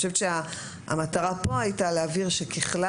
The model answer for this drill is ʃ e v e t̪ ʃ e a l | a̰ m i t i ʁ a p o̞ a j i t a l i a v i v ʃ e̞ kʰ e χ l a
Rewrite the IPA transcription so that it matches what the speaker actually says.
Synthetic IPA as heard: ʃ e v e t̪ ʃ e a | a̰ m a t a ʁ a p o̞ a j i t a l e a v i ʁ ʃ e̞ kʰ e χ l a